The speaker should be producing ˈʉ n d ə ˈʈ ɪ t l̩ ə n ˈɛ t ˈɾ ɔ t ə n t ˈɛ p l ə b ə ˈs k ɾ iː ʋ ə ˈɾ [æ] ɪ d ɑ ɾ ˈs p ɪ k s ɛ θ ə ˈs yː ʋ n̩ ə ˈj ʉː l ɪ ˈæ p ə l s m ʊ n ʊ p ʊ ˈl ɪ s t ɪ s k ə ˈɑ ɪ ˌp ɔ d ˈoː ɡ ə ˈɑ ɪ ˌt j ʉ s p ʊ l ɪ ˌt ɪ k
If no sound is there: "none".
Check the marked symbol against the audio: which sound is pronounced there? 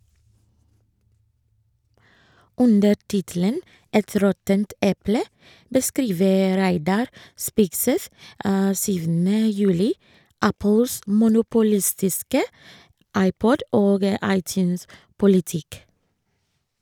æ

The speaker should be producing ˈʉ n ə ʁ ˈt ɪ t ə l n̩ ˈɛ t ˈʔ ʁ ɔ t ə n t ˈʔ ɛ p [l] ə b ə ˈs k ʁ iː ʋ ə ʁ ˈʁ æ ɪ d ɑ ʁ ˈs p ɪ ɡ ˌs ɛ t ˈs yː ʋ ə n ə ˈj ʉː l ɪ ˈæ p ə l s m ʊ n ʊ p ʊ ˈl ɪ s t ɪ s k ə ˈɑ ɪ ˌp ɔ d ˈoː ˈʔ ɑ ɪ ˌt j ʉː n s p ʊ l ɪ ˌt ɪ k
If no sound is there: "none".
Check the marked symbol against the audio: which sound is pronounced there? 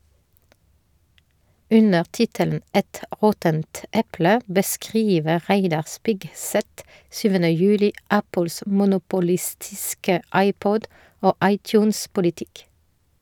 l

